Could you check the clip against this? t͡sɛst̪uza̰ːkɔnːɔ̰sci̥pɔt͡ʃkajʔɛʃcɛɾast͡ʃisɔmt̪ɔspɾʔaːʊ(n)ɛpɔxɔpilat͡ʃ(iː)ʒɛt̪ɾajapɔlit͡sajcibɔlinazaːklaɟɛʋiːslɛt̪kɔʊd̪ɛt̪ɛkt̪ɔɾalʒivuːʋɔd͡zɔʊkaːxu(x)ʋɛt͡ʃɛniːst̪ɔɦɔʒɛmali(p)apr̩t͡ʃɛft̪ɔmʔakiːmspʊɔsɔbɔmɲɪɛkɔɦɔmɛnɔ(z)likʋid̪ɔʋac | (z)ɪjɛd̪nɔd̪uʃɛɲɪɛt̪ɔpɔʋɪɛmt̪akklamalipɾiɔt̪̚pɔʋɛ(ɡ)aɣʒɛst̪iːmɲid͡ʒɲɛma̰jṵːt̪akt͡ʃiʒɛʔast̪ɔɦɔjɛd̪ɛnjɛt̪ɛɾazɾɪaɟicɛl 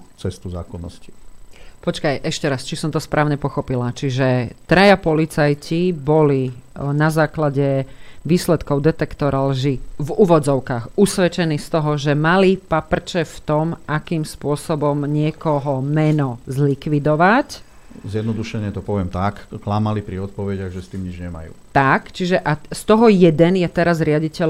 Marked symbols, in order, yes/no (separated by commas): no, no, no, yes, yes, yes, no